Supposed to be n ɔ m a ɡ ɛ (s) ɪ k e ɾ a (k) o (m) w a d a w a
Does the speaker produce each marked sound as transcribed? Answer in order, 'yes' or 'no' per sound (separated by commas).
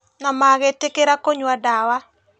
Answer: no, yes, no